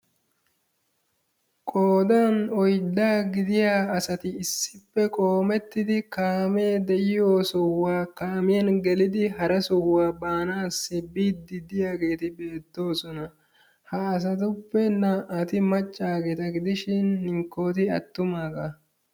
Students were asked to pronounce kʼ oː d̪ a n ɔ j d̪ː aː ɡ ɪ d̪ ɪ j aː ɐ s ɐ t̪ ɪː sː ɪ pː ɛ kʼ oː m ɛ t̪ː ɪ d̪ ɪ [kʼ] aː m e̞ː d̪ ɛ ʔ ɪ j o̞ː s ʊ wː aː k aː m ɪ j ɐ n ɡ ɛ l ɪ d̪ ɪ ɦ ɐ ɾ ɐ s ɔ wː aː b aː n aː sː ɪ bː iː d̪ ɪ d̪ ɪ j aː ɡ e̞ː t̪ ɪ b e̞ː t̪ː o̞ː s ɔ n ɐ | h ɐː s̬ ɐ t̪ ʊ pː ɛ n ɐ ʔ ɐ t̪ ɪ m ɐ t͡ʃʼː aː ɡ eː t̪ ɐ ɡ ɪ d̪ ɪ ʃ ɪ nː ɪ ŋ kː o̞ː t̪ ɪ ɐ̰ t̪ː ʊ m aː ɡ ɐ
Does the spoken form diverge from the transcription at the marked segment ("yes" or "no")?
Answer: yes